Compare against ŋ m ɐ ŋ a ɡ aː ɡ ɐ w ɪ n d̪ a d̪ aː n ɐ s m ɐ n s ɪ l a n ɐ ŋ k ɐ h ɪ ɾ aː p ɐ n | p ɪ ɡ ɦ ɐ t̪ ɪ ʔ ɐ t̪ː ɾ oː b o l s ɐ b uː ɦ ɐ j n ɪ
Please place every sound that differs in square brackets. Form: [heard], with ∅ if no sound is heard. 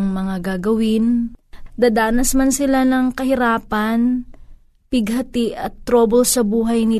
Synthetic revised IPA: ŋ m ɐ ŋ a ɡ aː ɡ ɐ w ɪ n d̪ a d̪ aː n ɐ s m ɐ n s ɪ l a n ɐ ŋ k ɐ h ɪ ɾ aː p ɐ n | p ɪ ɡ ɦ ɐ t̪ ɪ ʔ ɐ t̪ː ɾ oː b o l s ɐ b uː ɦ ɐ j n ɪ